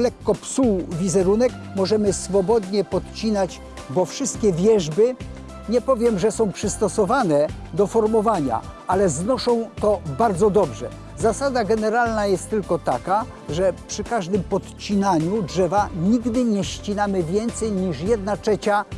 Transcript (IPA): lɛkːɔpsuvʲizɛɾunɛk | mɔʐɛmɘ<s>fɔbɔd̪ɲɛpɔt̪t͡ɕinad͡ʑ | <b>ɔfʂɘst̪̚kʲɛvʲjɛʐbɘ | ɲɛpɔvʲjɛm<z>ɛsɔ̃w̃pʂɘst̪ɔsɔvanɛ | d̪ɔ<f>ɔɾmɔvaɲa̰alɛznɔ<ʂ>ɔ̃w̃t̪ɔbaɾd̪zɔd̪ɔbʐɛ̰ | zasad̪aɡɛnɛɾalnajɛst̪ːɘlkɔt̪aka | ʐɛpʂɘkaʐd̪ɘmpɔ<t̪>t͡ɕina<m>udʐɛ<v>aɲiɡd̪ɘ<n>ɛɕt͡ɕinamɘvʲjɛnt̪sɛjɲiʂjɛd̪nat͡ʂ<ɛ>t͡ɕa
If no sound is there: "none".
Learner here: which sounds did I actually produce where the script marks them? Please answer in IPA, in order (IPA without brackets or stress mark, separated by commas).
s, b, ʐ, f, ʂ, t̪, ɲ, v, ɲ, ɛ